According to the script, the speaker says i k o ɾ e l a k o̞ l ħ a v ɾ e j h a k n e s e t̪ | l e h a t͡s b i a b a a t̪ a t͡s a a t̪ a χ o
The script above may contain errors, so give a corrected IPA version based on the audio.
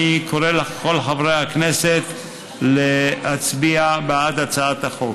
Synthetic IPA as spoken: i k o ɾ e l a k o̞ l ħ a v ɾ e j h a k n e s e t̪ | l e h a t͡s b i a b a a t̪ a t͡s a a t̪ a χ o